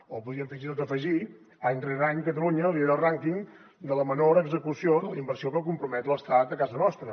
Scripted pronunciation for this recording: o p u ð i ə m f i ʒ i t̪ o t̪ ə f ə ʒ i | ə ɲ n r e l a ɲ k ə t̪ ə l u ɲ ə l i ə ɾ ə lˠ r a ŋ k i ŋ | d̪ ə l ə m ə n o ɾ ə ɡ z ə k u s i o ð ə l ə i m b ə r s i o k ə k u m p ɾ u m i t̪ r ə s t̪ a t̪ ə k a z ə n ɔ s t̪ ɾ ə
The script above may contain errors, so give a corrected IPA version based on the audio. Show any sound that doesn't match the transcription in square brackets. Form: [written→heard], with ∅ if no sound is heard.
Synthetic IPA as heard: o p u ð i ə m f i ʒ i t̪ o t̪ ə f ə ʒ i | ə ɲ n r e [l→ɾ] a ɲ k ə t̪ ə l u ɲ ə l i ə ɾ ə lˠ r a ŋ k i ŋ | d̪ ə l ə m ə n o ɾ ə ɡ z ə k u s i o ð ə l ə i m b ə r s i o k ə k u m p ɾ u m [i→ɛ] t̪ [r→l] ə s t̪ a t̪ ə k a z ə n ɔ s t̪ ɾ ə